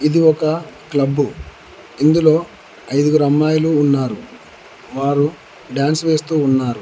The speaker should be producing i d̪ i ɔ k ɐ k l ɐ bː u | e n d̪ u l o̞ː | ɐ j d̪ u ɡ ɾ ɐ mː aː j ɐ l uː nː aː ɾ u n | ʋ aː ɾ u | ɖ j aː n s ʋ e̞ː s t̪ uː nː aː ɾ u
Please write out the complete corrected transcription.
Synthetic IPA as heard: i d̪ i ɔ k ɐ k l ɐ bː u | i n d̪ u l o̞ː | ɐ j d̪ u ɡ ɾ ɐ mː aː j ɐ l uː nː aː ɾ u | ʋ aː ɾ u | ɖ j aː n s ʋ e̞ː s t̪ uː nː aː ɾ u

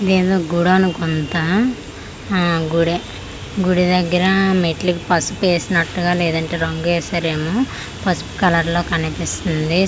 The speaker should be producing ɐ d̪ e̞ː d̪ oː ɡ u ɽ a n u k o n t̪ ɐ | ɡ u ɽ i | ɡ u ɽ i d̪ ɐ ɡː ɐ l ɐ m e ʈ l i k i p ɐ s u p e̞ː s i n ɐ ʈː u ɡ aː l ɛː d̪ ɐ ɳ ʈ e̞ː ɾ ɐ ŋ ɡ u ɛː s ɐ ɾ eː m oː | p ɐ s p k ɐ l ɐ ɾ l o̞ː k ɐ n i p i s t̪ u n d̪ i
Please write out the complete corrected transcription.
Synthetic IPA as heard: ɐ d̪ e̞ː d̪ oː ɡ u ɽ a n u k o n t̪ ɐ | ɡ u ɽ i | ɡ u ɽ i d̪ ɐ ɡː ɐ ɾ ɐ m e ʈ l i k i p ɐ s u p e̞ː s i n ɐ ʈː u ɡ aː l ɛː d̪ ɐ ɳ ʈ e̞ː ɾ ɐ ŋ ɡ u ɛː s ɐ ɾ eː m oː | p ɐ s p k ɐ l ɐ ɾ l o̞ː k ɐ n i p i s t̪ u n d̪ i

